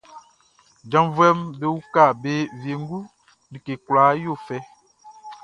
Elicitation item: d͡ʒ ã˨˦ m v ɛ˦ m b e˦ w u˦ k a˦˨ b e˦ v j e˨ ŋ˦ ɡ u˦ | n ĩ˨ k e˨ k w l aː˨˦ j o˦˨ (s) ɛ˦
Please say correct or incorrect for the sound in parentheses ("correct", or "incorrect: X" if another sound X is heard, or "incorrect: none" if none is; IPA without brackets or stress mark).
incorrect: f